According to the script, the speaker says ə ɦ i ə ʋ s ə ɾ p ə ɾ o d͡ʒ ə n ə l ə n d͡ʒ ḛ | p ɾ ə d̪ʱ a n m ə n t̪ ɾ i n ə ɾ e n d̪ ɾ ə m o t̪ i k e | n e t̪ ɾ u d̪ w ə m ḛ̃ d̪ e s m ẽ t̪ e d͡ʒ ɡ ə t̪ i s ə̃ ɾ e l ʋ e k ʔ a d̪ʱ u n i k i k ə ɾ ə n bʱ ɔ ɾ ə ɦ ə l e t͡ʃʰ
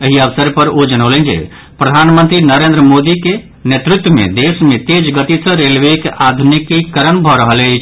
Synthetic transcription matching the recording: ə ɦ i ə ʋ s ə ɾ p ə ɾ o d͡ʒ ə n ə l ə n d͡ʒ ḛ | p ɾ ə d̪ʱ a n m ə n t̪ ɾ i n ə ɾ e n d̪ ɾ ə m o d̪ i k e | n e t̪ ɾ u t̪ w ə m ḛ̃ d̪ e s m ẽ t̪ e d͡ʒ ɡ ə t̪ i s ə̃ ɾ e l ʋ e k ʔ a d̪ʱ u n i k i k ə ɾ ə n bʱ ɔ ɾ ə ɦ ə l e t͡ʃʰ